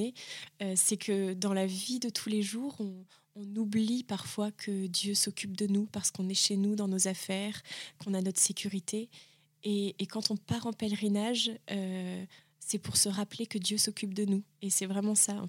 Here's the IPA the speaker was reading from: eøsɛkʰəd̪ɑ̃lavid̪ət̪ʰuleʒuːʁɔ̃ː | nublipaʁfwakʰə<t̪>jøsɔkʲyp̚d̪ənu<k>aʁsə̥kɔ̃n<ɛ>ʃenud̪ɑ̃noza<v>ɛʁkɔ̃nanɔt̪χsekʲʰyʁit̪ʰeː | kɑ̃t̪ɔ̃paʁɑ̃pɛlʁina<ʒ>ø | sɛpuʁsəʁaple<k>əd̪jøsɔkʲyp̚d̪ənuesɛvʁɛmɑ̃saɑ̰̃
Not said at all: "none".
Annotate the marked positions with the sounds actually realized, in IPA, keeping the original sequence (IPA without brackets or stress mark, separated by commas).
d̪, p, ɛ, f, ʒ, k